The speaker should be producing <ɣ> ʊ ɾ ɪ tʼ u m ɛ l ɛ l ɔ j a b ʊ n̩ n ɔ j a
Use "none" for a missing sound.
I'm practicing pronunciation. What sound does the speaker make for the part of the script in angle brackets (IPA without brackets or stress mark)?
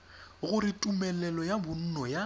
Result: ɣ